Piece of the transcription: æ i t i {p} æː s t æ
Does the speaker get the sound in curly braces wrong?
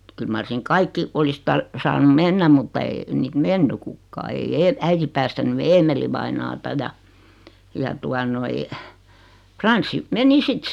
no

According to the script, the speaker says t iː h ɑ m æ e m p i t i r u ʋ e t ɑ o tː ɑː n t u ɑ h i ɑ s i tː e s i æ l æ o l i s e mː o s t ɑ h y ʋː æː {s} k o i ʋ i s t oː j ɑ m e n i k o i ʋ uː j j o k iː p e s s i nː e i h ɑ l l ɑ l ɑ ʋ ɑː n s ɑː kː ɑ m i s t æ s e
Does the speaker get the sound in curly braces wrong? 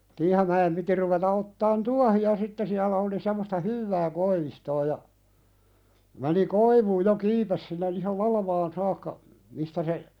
yes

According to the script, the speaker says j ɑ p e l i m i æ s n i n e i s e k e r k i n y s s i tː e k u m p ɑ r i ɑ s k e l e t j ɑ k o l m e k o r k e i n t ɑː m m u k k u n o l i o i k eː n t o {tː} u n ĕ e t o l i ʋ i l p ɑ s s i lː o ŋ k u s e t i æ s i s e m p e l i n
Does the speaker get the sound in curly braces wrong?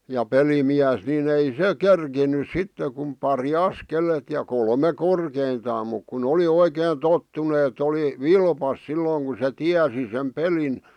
no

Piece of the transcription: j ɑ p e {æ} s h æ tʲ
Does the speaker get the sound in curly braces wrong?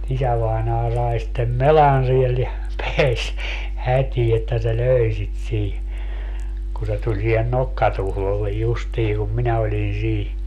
no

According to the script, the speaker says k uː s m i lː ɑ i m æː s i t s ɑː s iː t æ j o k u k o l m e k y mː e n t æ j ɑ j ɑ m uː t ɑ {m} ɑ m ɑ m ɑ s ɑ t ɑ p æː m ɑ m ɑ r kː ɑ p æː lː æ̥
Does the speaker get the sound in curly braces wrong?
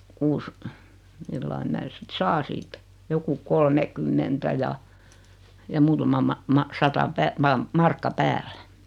no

